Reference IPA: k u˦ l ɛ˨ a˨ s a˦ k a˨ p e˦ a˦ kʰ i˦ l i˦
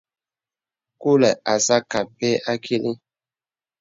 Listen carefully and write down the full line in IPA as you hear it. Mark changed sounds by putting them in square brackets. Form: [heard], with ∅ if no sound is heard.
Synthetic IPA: k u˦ l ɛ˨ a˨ s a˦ k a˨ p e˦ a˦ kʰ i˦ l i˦